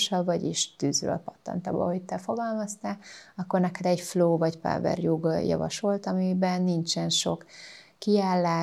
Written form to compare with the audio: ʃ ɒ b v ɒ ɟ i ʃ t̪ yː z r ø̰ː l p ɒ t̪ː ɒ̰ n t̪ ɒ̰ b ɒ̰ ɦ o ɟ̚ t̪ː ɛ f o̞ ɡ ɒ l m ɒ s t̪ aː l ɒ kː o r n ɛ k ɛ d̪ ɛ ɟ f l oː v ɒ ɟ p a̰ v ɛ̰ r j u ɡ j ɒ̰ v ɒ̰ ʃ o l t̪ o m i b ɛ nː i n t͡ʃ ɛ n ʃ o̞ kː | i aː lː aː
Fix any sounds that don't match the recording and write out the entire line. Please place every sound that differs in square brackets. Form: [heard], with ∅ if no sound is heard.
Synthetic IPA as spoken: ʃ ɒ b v ɒ ɟ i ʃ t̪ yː z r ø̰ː l p ɒ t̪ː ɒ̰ n t̪ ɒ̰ b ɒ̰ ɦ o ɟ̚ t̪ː ɛ f o̞ ɡ ɒ l m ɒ s t̪ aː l ɒ kː o r n ɛ k ɛ d̪ ɛ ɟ f l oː v ɒ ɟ p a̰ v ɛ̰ r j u ɡ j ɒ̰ v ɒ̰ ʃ o l t̪ [ɒ] m i b ɛ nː i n t͡ʃ ɛ n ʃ o̞ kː | i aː lː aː